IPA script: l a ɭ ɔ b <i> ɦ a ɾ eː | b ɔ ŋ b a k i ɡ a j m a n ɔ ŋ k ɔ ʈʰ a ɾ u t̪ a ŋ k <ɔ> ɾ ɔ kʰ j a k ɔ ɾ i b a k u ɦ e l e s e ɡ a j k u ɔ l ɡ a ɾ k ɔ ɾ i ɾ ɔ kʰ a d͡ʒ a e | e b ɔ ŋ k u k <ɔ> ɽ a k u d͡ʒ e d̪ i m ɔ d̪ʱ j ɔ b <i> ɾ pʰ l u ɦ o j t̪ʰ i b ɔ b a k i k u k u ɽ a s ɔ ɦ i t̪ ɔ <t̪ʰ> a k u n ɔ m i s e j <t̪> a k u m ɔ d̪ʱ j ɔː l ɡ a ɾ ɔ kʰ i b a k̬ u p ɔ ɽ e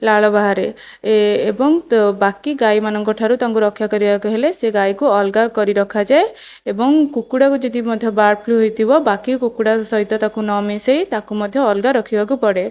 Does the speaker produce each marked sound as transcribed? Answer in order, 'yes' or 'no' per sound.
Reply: no, no, no, no, no, yes

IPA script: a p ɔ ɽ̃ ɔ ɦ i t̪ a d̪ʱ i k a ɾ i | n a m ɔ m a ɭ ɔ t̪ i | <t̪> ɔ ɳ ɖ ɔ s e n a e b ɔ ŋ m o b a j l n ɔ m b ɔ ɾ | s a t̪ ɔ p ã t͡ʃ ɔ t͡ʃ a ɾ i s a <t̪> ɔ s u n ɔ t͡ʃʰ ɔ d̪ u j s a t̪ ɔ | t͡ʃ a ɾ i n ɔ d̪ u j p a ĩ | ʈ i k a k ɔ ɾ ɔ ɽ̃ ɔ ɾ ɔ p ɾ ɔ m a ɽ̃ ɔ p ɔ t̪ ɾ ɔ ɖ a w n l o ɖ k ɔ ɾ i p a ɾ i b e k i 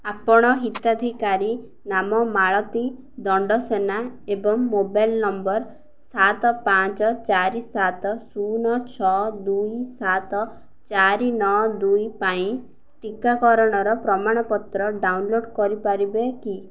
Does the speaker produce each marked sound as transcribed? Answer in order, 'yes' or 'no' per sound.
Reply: no, yes

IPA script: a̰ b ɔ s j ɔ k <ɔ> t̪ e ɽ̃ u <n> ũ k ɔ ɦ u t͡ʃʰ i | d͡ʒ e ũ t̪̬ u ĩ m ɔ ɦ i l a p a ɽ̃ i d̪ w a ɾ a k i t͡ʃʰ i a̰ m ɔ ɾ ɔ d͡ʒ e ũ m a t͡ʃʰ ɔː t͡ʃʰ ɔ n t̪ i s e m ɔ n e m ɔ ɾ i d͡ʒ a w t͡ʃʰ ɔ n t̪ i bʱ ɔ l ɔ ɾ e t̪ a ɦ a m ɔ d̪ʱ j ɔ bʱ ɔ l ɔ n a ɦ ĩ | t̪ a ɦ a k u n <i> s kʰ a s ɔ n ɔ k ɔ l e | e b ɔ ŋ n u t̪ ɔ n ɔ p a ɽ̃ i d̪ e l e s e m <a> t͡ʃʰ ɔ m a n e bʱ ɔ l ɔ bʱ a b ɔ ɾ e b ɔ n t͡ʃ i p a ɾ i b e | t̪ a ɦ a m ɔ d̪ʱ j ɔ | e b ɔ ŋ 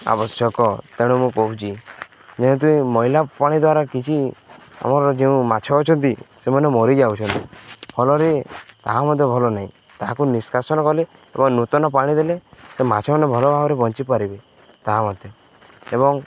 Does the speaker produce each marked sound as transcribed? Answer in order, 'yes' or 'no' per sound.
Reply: yes, no, yes, yes

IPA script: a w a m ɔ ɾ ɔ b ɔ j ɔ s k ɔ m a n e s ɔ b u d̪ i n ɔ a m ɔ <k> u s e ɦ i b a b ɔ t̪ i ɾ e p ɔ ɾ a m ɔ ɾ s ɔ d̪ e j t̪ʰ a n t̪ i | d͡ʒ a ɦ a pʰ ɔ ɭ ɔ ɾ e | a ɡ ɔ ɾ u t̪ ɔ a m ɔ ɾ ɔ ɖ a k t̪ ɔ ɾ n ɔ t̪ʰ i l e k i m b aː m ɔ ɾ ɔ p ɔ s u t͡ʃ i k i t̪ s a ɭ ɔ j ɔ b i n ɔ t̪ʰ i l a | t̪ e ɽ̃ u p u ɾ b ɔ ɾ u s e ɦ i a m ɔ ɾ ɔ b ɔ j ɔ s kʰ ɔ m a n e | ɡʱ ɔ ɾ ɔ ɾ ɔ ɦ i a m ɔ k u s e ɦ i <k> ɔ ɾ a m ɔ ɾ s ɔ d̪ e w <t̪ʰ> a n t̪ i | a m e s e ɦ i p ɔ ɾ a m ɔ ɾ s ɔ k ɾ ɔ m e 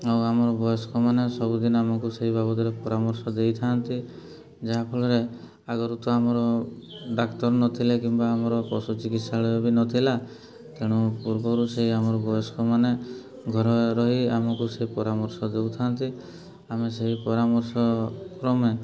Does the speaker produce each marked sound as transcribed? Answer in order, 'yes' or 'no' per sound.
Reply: yes, no, yes

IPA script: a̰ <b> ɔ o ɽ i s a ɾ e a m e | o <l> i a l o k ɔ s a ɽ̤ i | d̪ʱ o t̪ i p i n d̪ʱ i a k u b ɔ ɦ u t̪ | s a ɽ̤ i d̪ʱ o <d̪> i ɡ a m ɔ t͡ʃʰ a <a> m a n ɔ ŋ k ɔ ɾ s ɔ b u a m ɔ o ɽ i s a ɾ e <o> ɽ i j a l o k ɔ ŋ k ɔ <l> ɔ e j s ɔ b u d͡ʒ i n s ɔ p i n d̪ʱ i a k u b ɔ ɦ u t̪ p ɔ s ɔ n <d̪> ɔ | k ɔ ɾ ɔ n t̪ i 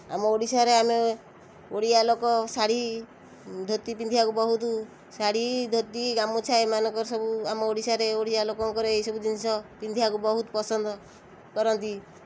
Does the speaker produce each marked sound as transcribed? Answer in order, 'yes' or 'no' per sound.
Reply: no, no, no, no, yes, no, yes

